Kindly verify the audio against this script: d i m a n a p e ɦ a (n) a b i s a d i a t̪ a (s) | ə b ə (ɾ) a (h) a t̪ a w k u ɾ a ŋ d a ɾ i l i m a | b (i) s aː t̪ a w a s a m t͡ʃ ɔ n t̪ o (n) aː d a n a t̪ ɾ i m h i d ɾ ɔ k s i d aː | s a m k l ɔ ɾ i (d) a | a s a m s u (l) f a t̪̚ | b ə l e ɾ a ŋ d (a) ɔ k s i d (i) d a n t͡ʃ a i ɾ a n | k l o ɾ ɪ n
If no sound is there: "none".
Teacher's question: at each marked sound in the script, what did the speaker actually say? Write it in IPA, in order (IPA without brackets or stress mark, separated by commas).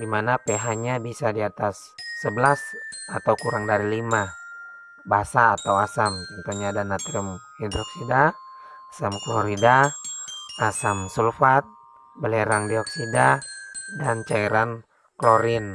ɲ, sː, l, s, a, ɲ, d, l, i, a